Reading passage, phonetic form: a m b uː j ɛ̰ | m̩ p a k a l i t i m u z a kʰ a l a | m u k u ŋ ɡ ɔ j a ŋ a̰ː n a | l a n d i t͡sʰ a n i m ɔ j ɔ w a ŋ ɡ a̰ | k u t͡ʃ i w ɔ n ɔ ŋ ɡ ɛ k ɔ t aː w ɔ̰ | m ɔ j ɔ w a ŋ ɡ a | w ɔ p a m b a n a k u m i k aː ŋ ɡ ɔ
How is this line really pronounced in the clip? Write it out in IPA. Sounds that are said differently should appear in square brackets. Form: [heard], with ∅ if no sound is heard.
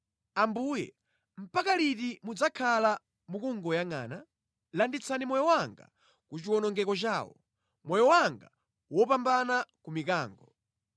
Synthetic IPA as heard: a m b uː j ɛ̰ | m̩ p a k a l i t i m u [d͡z] a kʰ a l a | m u k u ŋ ɡ ɔ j a ŋ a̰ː n a | l a n d i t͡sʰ a n i m ɔ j ɔ w a ŋ ɡ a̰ | k u t͡ʃ i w ɔ n ɔ ŋ ɡ ɛ k ɔ [t͡ʃ] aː w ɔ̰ | m ɔ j ɔ w a ŋ ɡ a | w ɔ p a m b a n a k u m i k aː ŋ ɡ ɔ